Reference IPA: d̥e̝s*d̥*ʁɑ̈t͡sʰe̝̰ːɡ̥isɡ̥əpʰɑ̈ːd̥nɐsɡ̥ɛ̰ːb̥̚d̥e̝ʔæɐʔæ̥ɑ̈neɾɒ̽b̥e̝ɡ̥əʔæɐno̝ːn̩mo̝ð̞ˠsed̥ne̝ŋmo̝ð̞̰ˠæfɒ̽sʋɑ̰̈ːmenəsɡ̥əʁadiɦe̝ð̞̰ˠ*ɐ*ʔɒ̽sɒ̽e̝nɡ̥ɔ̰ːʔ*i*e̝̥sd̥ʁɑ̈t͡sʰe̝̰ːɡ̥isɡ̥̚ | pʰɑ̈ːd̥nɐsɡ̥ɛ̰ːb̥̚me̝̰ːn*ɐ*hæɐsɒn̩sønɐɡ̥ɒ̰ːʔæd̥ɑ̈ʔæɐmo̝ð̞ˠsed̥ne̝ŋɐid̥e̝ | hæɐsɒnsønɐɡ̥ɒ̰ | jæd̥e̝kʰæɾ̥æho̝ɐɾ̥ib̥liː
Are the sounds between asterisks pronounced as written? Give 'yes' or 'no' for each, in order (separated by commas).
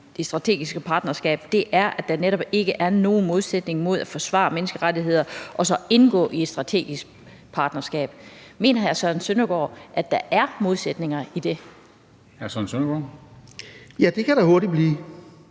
yes, yes, yes, yes